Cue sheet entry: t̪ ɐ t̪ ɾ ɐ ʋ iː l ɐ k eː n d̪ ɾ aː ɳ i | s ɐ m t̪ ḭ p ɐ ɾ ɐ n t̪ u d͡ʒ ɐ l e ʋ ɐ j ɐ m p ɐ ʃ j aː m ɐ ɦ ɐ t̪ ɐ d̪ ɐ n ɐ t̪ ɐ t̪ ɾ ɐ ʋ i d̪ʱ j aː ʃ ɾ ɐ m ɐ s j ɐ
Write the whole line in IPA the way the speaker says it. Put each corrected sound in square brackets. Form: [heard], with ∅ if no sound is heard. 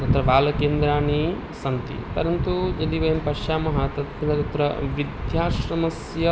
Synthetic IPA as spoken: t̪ ɐ t̪ ɾ ɐ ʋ [aː] l ɐ k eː n d̪ ɾ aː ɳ i | s ɐ [n] t̪ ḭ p ɐ ɾ ɐ n t̪ u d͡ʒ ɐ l [i] ʋ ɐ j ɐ m p ɐ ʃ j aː m ɐ ɦ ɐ t̪ ɐ [t̪] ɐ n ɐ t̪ ɐ t̪ ɾ ɐ ʋ i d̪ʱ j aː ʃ ɾ ɐ m ɐ s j ɐ